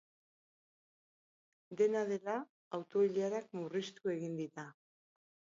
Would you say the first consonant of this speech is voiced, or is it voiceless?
voiced